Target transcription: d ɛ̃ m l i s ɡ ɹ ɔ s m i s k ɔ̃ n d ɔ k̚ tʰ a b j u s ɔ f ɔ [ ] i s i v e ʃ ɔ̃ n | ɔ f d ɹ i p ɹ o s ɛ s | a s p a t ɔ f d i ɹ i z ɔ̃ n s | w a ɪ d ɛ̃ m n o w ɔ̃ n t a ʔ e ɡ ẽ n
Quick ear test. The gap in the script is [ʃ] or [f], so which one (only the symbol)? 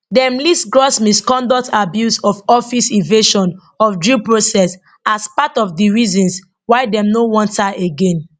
f